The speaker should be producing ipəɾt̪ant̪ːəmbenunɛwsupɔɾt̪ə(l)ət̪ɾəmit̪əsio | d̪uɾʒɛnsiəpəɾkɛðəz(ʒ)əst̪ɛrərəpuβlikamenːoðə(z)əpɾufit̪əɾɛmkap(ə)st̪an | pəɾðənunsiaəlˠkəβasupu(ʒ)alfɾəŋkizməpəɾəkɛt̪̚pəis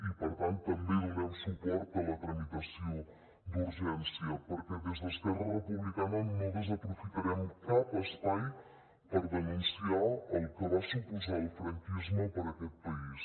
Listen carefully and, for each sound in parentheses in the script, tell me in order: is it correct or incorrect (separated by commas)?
correct, incorrect, correct, correct, incorrect